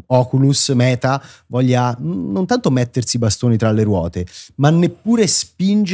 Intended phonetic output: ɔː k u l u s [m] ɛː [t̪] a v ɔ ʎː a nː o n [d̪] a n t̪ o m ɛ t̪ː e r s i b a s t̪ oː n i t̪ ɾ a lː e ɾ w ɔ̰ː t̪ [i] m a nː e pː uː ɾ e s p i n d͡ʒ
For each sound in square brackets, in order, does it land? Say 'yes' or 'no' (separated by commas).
yes, yes, no, no